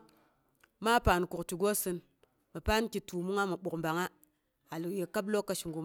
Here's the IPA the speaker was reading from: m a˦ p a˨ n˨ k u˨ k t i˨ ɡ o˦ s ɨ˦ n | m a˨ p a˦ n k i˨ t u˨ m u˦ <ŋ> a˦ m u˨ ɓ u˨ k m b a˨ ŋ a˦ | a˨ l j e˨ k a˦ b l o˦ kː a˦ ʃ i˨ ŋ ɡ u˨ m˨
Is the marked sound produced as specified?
yes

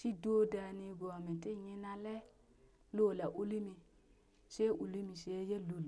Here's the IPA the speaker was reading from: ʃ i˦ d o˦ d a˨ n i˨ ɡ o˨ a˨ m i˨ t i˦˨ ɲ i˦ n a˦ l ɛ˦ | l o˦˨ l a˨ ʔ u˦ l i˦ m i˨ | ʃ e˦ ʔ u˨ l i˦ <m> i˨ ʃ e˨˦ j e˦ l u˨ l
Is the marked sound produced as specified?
yes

